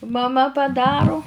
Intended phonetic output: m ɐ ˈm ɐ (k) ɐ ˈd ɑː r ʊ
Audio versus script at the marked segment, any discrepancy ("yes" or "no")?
yes